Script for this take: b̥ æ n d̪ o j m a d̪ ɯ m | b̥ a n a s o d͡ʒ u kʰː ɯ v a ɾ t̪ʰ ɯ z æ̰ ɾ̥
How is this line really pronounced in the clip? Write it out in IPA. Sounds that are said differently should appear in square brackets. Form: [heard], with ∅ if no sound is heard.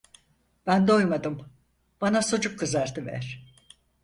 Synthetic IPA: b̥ æ n d̪ o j m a d̪ ɯ m | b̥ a n a s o d͡ʒ u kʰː ɯ [z] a ɾ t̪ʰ ɯ [v] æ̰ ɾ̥